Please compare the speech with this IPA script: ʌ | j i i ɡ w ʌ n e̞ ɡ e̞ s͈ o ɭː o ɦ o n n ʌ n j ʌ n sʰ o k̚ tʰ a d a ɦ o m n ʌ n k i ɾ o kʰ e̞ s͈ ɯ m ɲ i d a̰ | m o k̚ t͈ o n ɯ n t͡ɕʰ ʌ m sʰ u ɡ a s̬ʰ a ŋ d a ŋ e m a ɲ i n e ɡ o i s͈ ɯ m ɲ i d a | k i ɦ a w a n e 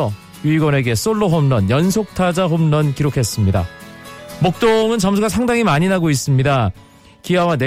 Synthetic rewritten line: ʌ | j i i ɡ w ʌ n e̞ ɡ e̞ s͈ o ɭː o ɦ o m n ʌ n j ʌ n sʰ o k̚ tʰ a d͡ʑ a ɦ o m n ʌ n k i ɾ o kʰ e̞ s͈ ɯ m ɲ i d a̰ | m o k̚ t͈ o ŋ ɯ n t͡ɕ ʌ m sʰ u ɡ a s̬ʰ a ŋ d a ŋ i m a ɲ i n a ɡ o i s͈ ɯ m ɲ i d a | k i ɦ a w a n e